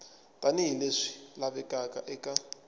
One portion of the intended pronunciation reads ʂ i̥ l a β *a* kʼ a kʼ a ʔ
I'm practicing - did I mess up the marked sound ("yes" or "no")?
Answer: yes